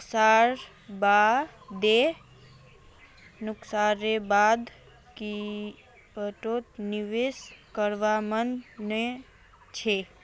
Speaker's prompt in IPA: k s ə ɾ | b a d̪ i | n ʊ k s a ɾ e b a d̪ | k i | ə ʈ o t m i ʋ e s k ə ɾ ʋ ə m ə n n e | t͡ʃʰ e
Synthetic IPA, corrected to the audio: k s a ɾ | b a d̪ e | n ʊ k s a ɾ e b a d̪ | k i | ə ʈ o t n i ʋ e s k ə ɾ ʋ a m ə n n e | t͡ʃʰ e